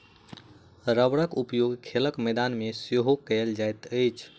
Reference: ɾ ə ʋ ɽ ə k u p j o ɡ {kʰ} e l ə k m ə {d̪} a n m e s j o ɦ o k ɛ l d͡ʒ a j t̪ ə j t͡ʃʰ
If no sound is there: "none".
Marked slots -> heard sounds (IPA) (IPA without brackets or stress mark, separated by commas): kʰ, d̪